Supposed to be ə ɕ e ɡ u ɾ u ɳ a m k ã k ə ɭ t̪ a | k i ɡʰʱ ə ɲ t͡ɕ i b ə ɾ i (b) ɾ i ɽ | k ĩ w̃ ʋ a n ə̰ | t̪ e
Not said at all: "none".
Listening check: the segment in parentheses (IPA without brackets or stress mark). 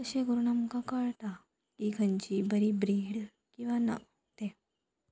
b